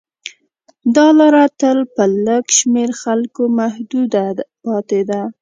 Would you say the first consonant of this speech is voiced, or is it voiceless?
voiced